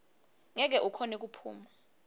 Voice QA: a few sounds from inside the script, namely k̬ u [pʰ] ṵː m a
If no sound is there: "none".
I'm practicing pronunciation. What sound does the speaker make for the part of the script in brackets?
pʰ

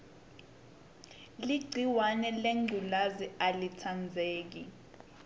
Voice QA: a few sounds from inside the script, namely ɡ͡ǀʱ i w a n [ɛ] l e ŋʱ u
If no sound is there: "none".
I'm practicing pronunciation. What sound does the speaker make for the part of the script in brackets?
ɛ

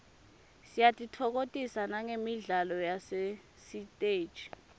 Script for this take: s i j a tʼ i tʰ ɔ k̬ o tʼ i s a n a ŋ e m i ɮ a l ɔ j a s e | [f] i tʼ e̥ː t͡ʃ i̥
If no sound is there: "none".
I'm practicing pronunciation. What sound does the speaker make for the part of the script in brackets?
s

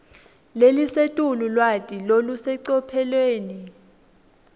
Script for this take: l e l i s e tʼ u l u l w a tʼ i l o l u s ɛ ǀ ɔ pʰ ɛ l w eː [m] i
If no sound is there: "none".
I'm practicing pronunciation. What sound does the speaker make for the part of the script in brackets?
n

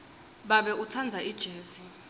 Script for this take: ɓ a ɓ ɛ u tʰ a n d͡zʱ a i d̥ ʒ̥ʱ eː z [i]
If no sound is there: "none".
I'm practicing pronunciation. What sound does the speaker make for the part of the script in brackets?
i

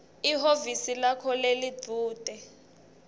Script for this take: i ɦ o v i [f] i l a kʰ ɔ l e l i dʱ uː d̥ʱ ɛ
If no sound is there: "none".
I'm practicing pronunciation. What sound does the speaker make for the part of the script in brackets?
s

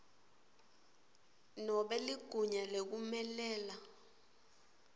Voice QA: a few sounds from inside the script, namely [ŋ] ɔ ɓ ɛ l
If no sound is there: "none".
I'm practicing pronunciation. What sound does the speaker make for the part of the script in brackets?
n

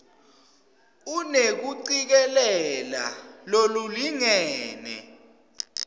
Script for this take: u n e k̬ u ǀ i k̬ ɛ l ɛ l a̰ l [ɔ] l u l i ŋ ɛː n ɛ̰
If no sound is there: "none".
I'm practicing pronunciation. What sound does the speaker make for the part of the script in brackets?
o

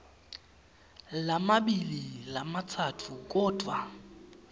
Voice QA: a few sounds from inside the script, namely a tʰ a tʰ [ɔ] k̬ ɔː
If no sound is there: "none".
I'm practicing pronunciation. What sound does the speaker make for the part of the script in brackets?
u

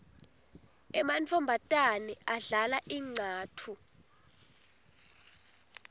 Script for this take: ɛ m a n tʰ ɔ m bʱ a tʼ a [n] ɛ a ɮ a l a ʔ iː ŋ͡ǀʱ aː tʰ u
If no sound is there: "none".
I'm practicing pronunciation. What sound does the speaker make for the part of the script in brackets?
n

